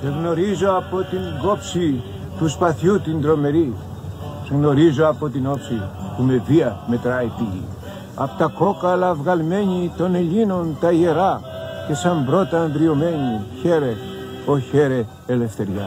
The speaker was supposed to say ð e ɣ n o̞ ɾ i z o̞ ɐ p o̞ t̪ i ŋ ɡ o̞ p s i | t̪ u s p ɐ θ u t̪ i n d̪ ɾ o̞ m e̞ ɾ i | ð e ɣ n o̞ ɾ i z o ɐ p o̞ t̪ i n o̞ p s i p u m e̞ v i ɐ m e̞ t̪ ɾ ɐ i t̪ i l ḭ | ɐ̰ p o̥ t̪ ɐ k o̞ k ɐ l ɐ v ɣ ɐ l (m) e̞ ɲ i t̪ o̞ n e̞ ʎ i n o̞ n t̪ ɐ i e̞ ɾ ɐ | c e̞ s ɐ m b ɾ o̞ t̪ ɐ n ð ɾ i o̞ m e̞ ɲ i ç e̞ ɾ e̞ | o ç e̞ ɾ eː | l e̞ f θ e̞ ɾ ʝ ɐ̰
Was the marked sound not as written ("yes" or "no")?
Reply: no